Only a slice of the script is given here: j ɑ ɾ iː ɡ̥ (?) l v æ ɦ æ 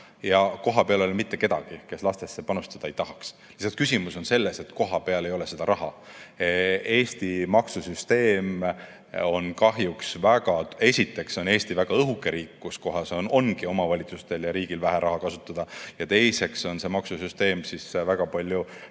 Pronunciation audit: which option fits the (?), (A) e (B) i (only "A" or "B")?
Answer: B